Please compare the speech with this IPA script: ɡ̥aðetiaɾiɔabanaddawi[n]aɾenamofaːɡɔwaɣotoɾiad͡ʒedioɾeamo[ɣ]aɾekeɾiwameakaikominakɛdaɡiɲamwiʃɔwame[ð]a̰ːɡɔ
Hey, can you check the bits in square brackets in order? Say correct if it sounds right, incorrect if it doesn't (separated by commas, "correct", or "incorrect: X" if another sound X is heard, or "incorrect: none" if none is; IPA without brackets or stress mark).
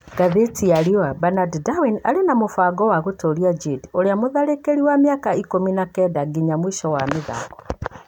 correct, incorrect: ð, correct